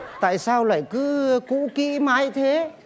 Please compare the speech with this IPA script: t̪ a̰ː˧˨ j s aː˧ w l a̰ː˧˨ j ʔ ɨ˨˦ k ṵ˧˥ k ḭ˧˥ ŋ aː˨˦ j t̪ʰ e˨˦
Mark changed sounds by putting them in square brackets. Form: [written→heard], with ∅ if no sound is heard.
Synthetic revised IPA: t̪ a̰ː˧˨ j s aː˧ w l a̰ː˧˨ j [ʔ→k] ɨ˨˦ k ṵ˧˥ k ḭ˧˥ [ŋ→m] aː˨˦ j t̪ʰ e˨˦